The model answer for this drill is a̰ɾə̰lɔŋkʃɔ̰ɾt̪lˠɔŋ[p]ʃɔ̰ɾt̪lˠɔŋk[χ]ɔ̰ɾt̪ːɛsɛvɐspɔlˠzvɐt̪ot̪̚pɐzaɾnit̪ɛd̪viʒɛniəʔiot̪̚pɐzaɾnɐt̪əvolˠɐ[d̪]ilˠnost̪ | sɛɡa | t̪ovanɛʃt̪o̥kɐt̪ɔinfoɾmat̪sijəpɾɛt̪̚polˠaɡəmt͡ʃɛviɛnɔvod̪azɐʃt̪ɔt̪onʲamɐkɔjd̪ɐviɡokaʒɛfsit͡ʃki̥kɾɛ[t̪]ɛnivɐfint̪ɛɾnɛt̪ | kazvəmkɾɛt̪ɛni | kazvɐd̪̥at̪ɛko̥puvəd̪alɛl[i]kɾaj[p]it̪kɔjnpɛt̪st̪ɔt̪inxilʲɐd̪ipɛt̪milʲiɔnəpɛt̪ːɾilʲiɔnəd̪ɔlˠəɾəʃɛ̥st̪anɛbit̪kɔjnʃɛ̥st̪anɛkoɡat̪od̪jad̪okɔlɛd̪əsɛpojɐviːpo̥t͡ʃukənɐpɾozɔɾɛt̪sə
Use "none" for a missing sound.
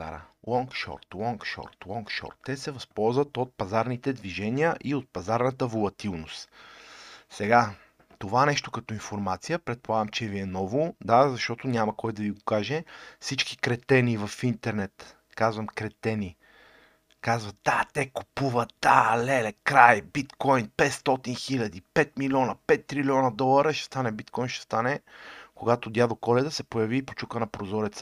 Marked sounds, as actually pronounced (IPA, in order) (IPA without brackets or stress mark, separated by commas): k, ʃ, t̪, t̪, ɛ, b